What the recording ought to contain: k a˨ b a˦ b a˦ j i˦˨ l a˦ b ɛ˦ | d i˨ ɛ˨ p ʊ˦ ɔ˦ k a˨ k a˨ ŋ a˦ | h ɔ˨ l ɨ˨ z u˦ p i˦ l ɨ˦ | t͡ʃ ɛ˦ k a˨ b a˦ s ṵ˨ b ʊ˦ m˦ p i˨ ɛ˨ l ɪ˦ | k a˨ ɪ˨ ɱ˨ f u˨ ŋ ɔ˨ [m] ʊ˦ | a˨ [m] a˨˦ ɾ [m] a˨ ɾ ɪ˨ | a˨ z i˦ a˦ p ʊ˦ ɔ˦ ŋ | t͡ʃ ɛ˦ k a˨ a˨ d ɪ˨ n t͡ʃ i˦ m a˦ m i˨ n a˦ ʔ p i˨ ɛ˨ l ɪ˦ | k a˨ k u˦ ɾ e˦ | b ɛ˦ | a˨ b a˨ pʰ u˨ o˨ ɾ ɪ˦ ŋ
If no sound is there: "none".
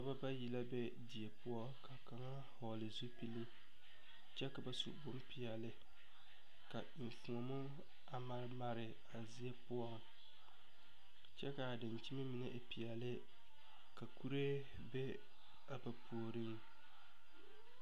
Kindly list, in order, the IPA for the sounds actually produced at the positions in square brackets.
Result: m, m, m

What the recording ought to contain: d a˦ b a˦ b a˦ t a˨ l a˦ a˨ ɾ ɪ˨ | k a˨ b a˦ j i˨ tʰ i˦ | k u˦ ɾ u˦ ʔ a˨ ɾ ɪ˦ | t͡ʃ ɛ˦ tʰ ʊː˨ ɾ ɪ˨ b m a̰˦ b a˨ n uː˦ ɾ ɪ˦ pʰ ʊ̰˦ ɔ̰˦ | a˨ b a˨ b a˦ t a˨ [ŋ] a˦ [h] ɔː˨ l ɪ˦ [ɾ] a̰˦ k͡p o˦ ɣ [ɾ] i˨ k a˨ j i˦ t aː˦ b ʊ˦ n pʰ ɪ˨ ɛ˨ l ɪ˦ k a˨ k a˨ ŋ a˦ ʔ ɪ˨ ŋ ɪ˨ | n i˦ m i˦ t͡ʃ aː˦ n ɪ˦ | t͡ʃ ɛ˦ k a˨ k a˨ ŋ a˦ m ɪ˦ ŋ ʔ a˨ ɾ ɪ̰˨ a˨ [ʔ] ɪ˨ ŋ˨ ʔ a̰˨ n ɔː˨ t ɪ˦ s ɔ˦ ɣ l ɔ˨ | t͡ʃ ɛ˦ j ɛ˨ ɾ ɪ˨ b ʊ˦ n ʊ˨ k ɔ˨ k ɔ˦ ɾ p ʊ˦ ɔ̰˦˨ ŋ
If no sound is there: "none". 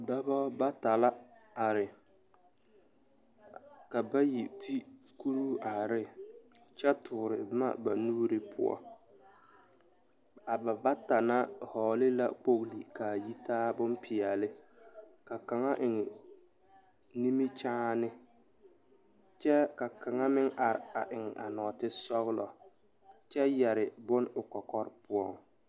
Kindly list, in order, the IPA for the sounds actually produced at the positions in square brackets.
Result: n, h, l, l, ʔ

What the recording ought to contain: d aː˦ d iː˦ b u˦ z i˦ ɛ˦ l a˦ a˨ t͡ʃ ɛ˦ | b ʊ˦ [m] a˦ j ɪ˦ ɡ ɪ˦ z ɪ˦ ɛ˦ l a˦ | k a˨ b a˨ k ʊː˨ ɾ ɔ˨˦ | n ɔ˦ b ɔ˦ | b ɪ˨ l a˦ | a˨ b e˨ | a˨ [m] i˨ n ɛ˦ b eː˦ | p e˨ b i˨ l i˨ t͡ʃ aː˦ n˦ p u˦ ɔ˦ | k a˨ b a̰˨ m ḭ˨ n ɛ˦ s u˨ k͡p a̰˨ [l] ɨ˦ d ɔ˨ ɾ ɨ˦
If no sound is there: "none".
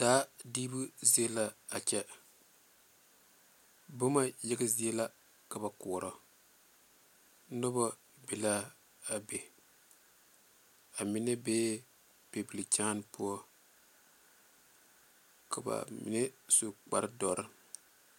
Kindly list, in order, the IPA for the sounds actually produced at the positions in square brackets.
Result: m, m, ɾ

